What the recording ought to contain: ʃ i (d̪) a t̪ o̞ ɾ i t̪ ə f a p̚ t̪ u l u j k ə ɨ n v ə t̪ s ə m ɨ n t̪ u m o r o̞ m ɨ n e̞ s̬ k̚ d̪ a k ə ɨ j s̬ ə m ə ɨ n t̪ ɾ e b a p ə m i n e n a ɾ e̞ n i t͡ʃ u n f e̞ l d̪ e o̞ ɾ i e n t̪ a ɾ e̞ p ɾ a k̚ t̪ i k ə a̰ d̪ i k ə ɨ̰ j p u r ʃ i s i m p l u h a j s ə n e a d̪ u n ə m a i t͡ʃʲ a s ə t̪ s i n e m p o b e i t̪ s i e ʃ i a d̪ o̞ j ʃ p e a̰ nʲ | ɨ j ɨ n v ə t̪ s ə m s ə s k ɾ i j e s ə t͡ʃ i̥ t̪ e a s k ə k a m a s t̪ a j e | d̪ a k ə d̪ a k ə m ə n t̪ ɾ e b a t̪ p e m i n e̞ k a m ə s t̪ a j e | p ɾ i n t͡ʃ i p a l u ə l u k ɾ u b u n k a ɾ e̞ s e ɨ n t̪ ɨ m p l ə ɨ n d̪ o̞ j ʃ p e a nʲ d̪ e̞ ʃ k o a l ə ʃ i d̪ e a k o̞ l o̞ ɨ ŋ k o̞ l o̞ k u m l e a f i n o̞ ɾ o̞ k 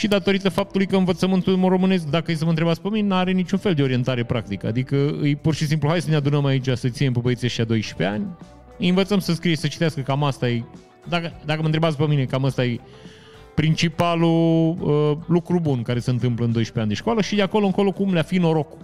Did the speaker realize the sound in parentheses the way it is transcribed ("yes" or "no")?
yes